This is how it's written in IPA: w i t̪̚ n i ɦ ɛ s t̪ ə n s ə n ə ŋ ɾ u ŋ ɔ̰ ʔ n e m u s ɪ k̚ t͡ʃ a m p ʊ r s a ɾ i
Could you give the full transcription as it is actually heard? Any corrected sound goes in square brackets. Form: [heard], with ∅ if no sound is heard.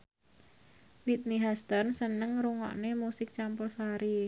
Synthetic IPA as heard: w i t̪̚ n i ɦ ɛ s t̪ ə n s ə n ə ŋ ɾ u ŋ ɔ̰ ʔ n e m u s ɪ k̚ t͡ʃ a m p ʊ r s a ɾ i

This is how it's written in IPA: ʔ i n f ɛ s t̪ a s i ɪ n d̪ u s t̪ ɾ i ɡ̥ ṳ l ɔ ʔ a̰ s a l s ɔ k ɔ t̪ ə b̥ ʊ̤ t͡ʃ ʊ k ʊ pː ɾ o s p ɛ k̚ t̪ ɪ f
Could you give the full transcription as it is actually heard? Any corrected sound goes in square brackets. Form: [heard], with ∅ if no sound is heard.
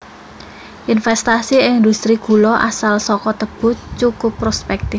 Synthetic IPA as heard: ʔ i n f ɛ s t̪ a s i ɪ n d̪ u s t̪ ɾ i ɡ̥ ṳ l ɔ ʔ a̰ s a l s ɔ k ɔ t̪ ə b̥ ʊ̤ t͡ʃ [u] k ʊ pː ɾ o s p ɛ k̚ t̪ ɪ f

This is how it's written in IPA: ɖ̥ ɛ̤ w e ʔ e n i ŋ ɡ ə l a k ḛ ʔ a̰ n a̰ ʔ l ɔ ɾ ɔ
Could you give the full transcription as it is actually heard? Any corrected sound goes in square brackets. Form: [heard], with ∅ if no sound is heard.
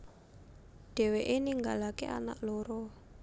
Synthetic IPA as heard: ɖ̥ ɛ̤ w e ʔ e n i ŋ ɡ [a] l a k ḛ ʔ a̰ n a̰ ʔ l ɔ ɾ ɔ

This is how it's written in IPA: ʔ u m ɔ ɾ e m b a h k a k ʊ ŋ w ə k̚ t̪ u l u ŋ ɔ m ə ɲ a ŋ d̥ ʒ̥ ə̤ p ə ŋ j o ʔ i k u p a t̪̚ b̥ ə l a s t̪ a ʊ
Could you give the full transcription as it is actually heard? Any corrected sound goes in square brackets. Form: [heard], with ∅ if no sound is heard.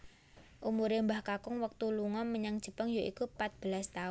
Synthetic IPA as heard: ʔ u m [u] ɾ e m b a h k a k ʊ ŋ w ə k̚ t̪ u l u ŋ ɔ m ə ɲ a ŋ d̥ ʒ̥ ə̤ p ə ŋ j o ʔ i k u p a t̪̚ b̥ ə l a s t̪ a ʊ

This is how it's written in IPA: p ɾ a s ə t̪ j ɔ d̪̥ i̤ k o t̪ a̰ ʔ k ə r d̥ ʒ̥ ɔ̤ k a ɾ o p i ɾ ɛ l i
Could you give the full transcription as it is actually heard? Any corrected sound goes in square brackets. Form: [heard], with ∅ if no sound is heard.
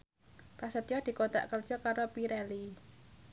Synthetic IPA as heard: p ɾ a s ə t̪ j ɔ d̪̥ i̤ k o t̪ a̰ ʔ k ə r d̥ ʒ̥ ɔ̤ k a ɾ o p i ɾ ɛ l i

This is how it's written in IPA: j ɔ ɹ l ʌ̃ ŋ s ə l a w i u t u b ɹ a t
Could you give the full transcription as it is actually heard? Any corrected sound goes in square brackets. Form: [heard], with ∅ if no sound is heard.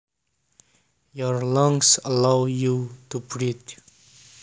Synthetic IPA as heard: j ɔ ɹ l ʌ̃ ŋ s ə l a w [j] u t u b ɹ [i] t

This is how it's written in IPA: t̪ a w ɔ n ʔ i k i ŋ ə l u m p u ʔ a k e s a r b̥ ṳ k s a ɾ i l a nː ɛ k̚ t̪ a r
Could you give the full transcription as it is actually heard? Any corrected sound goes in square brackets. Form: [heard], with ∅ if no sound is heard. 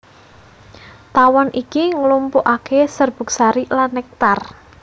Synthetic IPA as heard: t̪ a w ɔ n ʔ i k i ŋ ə l u m p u ʔ a k e s [ə] r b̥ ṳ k s a ɾ i l a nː ɛ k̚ t̪ a r

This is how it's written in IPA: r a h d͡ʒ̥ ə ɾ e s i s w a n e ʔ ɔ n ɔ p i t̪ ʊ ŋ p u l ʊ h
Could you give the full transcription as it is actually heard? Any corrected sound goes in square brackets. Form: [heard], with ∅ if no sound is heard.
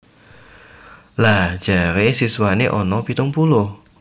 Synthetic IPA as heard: [l] a h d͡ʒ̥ [a] ɾ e s i s w a n e ʔ ɔ n ɔ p i t̪ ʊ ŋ p u l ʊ h

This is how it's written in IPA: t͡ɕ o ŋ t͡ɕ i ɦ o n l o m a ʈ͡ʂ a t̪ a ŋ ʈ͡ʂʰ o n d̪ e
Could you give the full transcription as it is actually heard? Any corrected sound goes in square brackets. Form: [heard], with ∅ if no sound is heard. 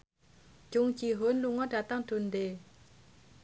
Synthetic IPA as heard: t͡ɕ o ŋ t͡ɕ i ɦ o n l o [ŋ] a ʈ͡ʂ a t̪ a ŋ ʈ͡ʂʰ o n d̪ e

